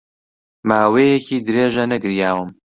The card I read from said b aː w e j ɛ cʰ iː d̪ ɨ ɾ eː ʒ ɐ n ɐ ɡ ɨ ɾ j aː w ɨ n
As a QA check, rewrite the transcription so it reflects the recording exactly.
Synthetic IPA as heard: m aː w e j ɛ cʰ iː d̪ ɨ ɾ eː ʒ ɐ n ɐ ɡ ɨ ɾ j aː w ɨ m

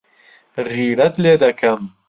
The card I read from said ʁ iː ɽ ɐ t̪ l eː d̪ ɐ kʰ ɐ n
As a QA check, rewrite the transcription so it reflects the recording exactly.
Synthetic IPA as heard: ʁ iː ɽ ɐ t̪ l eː d̪ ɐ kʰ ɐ m

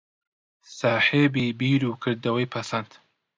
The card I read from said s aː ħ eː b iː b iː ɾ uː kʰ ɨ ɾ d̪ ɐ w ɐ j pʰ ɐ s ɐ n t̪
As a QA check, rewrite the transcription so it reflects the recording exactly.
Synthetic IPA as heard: s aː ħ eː b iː b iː ɾ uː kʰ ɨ ɾ d̪ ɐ w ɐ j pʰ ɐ s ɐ n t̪

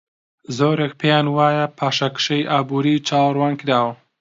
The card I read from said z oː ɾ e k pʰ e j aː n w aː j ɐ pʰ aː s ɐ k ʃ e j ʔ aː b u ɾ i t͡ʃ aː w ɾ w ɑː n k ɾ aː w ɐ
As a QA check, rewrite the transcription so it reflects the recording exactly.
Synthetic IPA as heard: z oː ɾ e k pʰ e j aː n w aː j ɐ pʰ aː ʃ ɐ k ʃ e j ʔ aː b u ɾ i t͡ʃ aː w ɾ w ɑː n k ɾ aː w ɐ

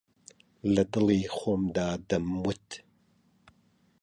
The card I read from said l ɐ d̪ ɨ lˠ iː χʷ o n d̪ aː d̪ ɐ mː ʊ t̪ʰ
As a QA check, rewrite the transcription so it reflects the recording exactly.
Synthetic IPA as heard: l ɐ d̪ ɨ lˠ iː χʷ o m d̪ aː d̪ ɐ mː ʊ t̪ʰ

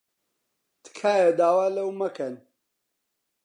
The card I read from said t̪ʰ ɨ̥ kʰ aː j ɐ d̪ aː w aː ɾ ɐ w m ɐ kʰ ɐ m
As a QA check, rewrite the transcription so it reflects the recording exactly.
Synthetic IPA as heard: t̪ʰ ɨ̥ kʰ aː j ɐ d̪ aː w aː l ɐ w m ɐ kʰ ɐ n

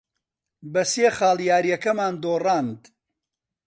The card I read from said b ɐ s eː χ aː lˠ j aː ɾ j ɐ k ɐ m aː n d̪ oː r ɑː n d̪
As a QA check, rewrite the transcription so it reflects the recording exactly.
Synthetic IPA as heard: b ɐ s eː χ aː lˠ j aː ɾ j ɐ k ɐ m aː n d̪ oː r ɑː n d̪

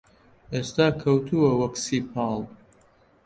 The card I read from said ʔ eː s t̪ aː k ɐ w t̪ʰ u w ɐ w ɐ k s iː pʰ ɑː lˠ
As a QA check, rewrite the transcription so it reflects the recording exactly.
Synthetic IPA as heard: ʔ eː s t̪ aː kʰ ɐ w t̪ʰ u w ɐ w ɐ k s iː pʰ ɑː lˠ

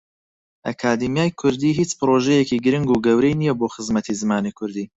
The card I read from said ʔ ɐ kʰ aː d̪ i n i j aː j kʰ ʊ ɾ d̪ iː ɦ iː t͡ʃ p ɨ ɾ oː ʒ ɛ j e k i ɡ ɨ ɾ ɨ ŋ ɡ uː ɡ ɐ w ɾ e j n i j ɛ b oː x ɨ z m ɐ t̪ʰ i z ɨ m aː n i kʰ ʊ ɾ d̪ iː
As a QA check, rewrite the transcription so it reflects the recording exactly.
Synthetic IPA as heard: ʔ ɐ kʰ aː d̪ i m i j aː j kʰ ʊ ɾ d̪ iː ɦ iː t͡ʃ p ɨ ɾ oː ʒ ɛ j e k i ɡ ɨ ɾ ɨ ŋ ɡ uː ɡ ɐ w ɾ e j n i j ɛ b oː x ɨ z m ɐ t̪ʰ i z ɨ m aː n i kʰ ʊ ɾ d̪ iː

